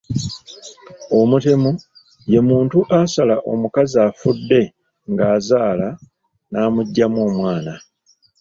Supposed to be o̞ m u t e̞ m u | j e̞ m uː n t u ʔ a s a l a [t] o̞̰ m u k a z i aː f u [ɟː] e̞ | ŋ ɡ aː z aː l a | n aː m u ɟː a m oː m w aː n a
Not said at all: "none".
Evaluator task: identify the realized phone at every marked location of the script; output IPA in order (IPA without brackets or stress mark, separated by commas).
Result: ʔ, dː